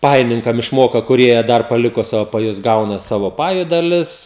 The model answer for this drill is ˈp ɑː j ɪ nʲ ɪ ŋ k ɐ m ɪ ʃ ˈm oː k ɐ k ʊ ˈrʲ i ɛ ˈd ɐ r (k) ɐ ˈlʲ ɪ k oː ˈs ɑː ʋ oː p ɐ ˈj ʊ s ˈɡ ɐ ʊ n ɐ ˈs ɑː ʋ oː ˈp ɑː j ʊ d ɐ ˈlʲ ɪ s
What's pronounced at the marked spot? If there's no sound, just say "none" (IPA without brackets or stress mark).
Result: p